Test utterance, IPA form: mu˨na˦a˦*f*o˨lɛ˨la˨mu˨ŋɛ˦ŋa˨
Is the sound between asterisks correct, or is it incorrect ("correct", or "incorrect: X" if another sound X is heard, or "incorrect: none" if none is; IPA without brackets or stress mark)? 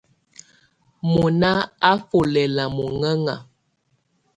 correct